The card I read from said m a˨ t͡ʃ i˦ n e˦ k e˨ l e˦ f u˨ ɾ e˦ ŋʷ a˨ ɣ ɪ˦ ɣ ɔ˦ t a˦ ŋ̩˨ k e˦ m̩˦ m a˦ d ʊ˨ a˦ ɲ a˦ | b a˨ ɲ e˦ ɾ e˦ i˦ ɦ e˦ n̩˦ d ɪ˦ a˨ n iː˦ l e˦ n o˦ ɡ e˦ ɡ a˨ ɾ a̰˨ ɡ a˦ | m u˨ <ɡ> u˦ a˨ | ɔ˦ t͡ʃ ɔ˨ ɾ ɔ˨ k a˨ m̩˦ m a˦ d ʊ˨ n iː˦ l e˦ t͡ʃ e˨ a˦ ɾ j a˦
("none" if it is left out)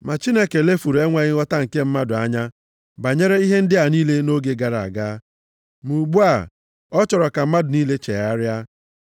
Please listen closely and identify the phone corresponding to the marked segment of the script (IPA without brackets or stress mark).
ɡ͡b